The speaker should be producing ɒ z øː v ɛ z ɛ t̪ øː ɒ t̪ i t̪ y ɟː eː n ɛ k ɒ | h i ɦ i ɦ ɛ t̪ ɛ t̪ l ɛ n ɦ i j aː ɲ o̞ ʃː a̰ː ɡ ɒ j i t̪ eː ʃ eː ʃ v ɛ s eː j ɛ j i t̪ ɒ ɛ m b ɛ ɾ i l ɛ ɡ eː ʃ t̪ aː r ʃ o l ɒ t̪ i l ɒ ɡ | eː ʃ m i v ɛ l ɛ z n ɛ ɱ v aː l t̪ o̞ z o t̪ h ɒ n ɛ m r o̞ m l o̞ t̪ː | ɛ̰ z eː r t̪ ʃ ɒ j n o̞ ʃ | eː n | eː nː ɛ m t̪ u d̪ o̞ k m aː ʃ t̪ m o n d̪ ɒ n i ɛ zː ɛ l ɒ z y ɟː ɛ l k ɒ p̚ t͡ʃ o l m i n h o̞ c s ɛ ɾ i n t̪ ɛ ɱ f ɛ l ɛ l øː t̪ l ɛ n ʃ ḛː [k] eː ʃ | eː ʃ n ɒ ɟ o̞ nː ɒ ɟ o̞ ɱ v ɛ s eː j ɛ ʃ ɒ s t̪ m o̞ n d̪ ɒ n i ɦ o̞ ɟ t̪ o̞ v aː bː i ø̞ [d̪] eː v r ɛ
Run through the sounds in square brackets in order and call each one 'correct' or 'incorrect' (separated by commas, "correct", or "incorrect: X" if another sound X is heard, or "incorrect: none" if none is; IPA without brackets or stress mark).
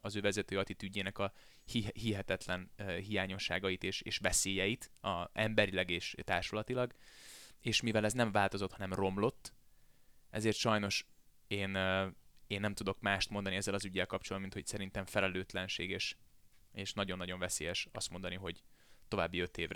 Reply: incorrect: ɡ, incorrect: t̪